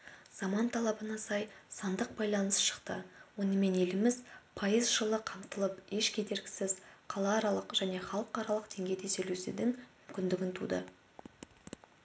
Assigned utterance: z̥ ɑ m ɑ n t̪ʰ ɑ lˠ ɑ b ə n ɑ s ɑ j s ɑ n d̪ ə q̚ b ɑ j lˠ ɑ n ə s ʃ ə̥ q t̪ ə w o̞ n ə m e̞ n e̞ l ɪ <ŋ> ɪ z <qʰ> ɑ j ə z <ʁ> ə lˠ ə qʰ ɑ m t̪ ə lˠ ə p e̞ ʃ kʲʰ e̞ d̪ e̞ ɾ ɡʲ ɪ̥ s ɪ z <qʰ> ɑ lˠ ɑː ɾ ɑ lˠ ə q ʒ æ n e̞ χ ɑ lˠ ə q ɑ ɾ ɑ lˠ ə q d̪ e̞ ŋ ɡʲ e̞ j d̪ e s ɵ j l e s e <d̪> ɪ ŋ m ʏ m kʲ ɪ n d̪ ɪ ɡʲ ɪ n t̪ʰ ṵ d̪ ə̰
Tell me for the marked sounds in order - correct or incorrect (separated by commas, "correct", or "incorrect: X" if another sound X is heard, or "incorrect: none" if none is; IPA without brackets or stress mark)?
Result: incorrect: m, incorrect: pʰ, incorrect: ʒ, correct, correct